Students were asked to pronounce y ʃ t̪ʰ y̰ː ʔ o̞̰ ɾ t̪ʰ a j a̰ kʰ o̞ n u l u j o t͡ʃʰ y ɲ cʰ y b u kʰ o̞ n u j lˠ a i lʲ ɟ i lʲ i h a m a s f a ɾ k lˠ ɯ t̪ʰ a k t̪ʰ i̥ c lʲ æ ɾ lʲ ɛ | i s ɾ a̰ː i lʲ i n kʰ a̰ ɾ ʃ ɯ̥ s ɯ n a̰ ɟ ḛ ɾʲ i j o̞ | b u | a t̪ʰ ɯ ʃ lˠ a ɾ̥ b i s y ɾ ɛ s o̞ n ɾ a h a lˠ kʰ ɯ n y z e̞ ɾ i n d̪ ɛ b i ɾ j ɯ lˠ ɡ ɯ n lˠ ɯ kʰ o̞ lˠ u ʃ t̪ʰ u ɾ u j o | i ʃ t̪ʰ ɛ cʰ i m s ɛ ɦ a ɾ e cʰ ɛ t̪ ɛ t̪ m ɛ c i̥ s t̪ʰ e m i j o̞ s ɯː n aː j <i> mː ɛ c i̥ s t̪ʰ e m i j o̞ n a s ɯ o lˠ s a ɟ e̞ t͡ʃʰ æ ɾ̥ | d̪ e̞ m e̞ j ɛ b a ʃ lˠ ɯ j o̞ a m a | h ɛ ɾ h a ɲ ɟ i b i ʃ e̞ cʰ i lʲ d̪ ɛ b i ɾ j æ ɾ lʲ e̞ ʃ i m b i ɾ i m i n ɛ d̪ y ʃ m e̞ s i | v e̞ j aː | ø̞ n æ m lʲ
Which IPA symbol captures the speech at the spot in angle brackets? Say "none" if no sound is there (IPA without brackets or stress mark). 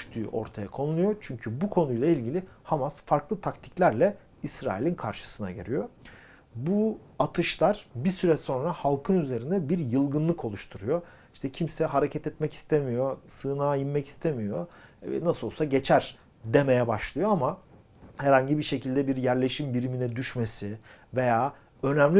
i